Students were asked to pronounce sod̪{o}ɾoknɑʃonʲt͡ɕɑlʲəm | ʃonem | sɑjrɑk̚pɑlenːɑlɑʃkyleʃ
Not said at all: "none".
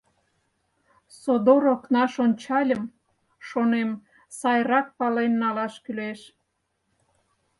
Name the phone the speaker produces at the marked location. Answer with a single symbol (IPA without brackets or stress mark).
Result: o